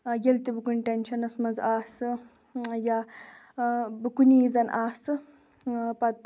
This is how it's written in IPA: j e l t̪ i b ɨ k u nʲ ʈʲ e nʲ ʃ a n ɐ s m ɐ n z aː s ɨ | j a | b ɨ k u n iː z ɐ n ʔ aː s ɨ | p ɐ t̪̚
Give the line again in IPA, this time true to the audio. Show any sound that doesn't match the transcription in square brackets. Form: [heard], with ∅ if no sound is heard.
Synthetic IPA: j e l t̪ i b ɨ k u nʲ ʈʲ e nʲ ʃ [ɐ] n ɐ s m ɐ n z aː s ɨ | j a | b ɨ k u n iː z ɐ n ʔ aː s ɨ | p ɐ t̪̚

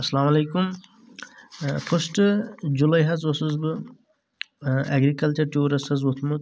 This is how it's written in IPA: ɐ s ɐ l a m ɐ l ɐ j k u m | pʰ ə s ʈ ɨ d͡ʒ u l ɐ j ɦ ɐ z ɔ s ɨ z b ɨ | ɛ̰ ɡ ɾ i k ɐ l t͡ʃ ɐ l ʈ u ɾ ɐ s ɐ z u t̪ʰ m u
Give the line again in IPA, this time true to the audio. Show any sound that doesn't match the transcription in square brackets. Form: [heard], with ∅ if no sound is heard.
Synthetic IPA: ɐ s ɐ l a m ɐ l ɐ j k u m | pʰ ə s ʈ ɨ d͡ʒ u l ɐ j ɦ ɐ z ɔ s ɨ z b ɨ | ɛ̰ ɡ ɾ i k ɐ l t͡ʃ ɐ [ɾ] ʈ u ɾ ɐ s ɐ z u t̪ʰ m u

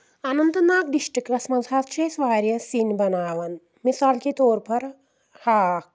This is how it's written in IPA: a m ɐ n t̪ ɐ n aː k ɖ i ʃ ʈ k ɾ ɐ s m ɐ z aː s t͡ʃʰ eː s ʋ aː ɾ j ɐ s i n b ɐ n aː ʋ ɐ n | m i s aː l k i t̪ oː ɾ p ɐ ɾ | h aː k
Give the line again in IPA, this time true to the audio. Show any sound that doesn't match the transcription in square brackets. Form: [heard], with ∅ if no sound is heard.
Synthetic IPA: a [n] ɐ n t̪ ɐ n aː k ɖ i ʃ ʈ k ɾ ɐ s m ɐ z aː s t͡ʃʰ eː s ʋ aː ɾ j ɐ s i n b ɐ n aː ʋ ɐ n | m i s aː l k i t̪ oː ɾ p ɐ ɾ | h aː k

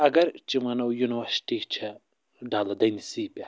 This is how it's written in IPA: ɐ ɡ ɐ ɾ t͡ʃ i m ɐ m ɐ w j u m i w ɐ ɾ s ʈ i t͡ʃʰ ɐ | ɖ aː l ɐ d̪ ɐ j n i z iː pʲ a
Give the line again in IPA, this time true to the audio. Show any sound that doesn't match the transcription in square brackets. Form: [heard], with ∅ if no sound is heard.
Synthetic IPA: ɐ ɡ ɐ ɾ t͡ʃ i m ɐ [n] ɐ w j u [n] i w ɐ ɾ s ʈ i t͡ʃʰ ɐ | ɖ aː l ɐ d̪ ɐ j n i [s] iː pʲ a

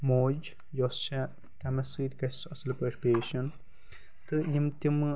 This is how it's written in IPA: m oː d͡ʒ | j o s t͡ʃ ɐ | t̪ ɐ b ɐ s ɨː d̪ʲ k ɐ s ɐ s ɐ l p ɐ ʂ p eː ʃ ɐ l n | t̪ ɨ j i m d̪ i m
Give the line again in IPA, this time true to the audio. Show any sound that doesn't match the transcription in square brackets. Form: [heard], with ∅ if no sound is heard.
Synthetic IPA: m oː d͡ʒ | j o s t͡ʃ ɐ | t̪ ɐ [m] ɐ s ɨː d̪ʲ k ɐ s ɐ s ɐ l p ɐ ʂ p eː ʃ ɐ [∅] n | t̪ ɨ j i m [t̪] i m

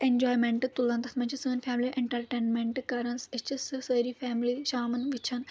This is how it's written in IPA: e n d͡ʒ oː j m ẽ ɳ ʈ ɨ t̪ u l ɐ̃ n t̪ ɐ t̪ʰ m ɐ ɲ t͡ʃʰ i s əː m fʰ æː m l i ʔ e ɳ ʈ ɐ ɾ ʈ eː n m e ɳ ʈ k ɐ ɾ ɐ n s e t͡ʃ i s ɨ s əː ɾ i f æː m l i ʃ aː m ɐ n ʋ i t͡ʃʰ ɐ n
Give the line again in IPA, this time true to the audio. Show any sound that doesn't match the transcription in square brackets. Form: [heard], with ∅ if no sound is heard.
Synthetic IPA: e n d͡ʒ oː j m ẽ ɳ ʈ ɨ t̪ u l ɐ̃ n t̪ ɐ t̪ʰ m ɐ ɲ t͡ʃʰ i s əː [n] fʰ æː m l i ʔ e ɳ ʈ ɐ ɾ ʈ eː n m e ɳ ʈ k ɐ ɾ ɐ n s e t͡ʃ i s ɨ s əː ɾ i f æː m l i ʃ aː m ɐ n ʋ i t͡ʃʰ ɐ n

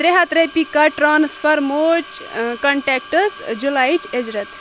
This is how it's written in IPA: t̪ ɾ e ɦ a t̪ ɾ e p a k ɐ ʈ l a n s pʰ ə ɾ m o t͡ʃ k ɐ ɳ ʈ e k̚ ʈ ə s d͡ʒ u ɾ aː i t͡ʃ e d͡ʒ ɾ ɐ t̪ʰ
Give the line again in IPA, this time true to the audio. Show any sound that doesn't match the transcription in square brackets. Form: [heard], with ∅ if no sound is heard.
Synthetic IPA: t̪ ɾ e ɦ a t̪ ɾ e p [i] k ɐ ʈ [ɾ] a n s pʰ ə ɾ m o t͡ʃ k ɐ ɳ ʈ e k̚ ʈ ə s d͡ʒ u [l] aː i t͡ʃ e d͡ʒ ɾ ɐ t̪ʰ

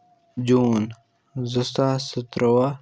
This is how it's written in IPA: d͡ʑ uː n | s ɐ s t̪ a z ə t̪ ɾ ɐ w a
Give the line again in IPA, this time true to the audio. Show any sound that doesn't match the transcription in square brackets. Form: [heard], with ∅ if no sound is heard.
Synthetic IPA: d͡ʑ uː n | [z] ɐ s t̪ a [s] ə t̪ ɾ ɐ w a

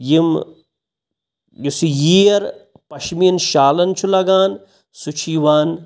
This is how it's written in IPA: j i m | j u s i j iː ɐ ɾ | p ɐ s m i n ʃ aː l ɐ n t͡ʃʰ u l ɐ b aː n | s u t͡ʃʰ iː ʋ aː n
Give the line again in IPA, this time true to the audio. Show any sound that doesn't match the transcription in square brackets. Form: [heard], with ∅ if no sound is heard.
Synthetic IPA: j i m | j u s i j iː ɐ ɾ | p ɐ [ʃ] m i n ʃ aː l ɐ n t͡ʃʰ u l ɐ [ɡ] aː n | s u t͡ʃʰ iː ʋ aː n

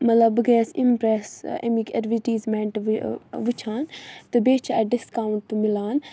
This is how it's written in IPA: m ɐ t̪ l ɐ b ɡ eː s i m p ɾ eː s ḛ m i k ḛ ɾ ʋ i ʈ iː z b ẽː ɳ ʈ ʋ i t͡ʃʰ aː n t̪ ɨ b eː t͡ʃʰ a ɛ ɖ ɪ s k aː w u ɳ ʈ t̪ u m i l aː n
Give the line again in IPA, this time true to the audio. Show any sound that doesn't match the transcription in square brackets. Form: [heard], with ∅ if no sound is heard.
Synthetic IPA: m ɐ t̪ l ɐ b ɡ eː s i m p ɾ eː s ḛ m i k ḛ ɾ ʋ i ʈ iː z [m] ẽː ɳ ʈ ʋ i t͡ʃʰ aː n t̪ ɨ b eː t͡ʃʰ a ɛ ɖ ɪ s k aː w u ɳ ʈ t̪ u m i l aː n

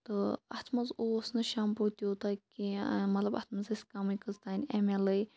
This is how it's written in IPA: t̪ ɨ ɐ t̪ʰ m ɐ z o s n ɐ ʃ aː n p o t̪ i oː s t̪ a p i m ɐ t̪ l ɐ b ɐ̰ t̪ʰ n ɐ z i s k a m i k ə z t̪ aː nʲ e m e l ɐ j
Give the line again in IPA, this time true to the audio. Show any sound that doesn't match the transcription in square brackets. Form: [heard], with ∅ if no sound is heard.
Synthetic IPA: t̪ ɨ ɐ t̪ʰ m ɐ z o s n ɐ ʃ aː [m] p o t̪ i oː [∅] t̪ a [k] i m ɐ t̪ l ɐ b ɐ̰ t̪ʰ [m] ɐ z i s k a m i k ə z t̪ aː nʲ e m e l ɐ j

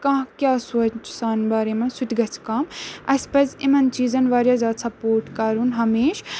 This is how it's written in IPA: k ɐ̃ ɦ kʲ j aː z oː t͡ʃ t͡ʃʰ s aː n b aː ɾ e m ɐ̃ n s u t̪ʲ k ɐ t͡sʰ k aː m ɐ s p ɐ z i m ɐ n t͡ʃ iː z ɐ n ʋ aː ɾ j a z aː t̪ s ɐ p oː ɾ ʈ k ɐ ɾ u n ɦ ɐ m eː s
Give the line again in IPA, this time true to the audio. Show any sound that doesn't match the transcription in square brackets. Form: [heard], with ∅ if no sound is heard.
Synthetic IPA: k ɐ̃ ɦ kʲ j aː [s] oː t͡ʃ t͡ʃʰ s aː n b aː ɾ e m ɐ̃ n s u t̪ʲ [ɡ] ɐ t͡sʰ k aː m ɐ s p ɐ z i m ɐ n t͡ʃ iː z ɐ n ʋ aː ɾ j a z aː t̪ s ɐ p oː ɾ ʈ k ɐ ɾ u n ɦ ɐ m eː [ʃ]

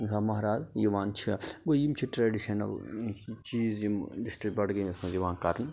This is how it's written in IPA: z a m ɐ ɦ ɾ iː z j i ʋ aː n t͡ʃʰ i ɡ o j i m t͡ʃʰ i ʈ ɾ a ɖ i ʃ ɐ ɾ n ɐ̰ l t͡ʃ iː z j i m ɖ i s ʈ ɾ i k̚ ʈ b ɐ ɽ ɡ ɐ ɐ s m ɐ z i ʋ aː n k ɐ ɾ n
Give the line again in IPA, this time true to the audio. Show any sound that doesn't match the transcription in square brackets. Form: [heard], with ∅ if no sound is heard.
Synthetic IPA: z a m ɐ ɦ ɾ [aː] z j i ʋ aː n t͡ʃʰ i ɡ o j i m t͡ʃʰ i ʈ ɾ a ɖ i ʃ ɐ [∅] n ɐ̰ l t͡ʃ iː z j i m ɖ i s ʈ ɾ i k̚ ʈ b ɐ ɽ ɡ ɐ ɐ s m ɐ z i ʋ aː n k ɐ ɾ n

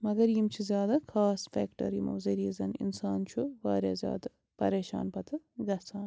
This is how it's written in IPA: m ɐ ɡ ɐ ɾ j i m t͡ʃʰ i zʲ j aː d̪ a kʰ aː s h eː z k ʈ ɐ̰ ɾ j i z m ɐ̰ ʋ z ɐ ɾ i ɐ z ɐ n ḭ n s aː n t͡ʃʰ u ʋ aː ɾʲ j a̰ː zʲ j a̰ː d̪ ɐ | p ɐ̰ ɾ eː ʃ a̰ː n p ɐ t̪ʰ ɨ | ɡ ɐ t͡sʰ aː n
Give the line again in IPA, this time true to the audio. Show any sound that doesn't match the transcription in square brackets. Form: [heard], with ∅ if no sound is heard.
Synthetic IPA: m ɐ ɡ ɐ ɾ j i m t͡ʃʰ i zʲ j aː d̪ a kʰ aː s [f] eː [∅] k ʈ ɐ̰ ɾ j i [∅] m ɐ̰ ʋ z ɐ ɾ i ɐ z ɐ n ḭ n s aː n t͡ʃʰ u ʋ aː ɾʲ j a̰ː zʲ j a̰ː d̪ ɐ | p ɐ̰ ɾ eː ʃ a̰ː n p ɐ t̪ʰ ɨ | ɡ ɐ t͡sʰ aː n

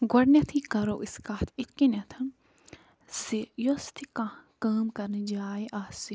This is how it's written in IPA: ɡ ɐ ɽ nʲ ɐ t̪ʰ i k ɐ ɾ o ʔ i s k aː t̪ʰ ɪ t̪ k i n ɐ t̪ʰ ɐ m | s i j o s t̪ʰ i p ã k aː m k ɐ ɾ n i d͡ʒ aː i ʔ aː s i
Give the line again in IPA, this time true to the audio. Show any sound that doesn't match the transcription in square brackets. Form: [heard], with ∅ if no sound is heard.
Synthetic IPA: ɡ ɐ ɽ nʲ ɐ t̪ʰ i k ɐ ɾ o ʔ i s k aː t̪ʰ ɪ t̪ k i n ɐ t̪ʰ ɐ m | s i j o s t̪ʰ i [k] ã k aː m k ɐ ɾ n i d͡ʒ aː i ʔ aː s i

